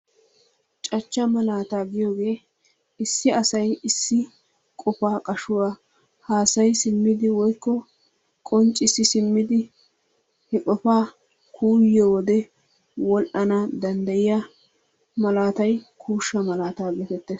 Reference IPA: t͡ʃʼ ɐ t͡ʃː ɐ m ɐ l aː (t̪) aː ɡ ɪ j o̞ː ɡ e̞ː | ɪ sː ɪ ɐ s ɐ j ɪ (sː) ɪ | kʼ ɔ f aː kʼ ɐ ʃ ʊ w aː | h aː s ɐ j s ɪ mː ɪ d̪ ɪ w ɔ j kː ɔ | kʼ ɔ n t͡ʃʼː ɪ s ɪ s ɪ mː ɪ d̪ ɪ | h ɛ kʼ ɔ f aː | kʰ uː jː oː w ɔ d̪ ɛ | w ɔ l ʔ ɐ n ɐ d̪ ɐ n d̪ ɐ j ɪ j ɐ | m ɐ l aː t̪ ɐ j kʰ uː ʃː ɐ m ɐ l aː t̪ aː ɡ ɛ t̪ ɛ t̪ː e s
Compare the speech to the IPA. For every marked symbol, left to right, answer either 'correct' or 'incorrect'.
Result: correct, correct

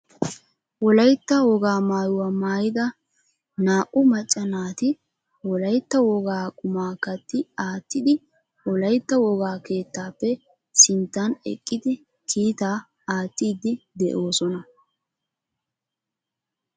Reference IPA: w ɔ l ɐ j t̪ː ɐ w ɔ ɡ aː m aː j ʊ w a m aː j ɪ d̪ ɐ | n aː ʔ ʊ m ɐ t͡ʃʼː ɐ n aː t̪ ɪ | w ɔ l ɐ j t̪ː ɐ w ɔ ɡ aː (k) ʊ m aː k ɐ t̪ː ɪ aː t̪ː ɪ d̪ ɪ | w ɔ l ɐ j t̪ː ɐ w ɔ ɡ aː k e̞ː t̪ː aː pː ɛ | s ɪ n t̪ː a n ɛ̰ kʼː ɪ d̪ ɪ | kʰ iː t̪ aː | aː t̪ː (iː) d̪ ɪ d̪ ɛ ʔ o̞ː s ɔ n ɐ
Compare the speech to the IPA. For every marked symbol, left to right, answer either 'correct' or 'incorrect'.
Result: incorrect, correct

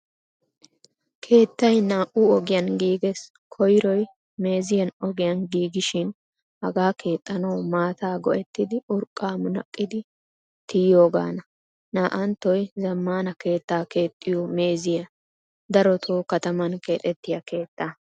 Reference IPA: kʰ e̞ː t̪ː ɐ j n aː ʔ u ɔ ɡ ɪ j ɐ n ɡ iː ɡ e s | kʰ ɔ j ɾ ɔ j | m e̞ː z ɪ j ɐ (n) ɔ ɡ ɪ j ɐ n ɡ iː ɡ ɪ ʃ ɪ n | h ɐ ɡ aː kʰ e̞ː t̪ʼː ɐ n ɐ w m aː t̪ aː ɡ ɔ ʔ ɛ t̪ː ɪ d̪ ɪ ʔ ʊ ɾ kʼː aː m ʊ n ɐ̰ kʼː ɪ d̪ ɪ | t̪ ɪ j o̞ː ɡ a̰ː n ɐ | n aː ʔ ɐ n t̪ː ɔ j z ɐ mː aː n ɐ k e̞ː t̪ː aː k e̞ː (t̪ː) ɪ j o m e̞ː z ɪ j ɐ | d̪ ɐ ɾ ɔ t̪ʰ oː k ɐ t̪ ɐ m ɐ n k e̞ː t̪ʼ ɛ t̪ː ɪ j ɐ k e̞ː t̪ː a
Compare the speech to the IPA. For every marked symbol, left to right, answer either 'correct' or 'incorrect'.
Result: correct, incorrect

